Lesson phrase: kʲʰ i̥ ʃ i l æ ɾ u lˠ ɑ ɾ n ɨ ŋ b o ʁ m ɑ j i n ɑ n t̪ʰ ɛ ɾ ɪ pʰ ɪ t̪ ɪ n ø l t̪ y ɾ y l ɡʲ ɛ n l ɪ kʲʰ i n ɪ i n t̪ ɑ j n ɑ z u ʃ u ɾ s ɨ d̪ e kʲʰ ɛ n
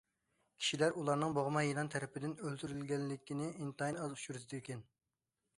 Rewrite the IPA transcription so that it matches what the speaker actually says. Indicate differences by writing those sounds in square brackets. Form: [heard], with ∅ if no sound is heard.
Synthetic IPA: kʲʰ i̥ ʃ i l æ ɾ u lˠ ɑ ɾ n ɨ ŋ b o ʁ m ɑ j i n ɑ n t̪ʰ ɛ ɾ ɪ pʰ ɪ [d̪] ɪ n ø l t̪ y ɾ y l ɡʲ ɛ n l ɪ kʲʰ i n ɪ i n t̪ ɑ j n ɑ z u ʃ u ɾ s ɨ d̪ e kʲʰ ɛ n